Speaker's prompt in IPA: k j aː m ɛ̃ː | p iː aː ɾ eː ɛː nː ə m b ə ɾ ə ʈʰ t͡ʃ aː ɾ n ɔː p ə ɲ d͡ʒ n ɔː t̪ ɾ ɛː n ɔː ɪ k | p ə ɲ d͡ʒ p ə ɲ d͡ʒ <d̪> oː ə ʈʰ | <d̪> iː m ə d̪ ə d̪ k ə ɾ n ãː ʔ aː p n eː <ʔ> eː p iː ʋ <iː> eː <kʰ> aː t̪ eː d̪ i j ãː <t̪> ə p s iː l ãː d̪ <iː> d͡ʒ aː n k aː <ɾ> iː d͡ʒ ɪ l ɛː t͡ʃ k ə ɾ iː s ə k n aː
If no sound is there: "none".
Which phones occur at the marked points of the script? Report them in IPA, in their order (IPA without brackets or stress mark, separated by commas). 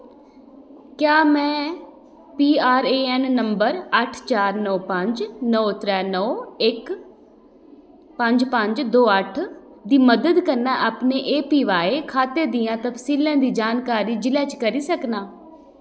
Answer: d̪, d̪, ʔ, aː, kʰ, t̪, iː, ɾ